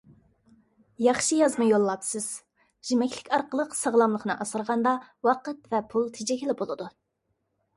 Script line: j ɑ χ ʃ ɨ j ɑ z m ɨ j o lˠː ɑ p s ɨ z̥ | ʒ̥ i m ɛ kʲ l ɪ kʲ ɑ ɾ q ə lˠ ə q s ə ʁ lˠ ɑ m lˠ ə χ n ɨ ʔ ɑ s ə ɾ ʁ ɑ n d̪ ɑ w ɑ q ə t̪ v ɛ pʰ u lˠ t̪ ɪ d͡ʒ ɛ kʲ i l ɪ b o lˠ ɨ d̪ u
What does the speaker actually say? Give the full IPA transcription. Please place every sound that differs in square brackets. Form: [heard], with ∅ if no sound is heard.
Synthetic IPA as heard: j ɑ χ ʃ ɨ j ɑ z m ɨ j o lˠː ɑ p s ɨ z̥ | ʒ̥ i m ɛ kʲ l ɪ kʲ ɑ ɾ q ə lˠ ə q s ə ʁ lˠ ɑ m lˠ ə χ n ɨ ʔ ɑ s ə ɾ ʁ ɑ n d̪ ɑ w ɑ q ə t̪ v ɛ pʰ u lˠ [t̪ʰ] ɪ d͡ʒ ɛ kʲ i l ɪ b o lˠ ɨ d̪ u